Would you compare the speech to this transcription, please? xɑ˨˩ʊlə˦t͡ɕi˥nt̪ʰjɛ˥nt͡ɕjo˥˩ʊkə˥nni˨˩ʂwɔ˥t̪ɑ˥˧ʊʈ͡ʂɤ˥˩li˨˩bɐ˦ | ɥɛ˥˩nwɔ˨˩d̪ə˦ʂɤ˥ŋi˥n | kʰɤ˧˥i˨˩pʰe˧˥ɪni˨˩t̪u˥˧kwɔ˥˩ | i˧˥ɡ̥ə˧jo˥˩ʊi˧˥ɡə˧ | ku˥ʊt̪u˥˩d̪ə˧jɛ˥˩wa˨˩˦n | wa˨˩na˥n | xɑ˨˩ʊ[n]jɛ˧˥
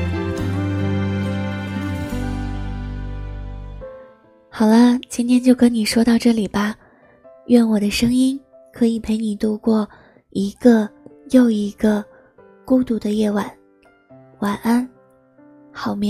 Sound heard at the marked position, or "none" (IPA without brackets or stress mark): m